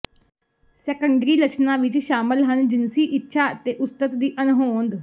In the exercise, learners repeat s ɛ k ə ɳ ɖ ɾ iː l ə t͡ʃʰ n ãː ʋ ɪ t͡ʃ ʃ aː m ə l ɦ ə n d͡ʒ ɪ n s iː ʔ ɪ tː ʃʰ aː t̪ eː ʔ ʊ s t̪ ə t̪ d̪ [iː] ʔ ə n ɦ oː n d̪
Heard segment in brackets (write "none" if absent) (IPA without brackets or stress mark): iː